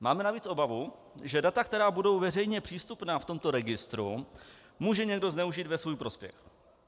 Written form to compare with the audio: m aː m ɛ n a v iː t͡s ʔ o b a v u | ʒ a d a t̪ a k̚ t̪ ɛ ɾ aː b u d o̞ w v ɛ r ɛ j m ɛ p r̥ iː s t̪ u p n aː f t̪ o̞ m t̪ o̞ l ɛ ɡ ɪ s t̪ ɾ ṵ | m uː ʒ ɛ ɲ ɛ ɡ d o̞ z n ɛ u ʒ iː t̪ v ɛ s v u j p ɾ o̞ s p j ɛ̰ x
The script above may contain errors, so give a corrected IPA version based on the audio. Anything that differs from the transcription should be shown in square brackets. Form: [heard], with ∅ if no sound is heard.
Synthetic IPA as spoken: m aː m ɛ n a v iː t͡s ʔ o b a v u | ʒ [ɛ] d a t̪ a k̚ t̪ ɛ ɾ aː b u d o̞ w v ɛ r ɛ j [ɲ] ɛ p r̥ iː s t̪ u p n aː f t̪ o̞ m t̪ o̞ [ɾ] ɛ ɡ ɪ s t̪ ɾ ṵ | m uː ʒ ɛ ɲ ɛ ɡ d o̞ z n ɛ u ʒ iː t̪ v ɛ s v [uː] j p ɾ o̞ s p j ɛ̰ x